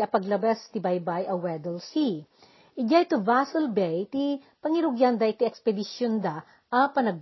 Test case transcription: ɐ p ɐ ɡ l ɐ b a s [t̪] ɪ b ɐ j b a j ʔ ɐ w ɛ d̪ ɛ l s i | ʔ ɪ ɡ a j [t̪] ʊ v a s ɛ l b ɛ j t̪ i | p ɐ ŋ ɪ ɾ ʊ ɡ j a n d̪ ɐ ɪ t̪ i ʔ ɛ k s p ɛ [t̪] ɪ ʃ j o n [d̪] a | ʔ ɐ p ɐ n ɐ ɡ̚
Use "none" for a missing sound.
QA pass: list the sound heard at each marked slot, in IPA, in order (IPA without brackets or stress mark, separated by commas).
t̪, t̪, d̪, d̪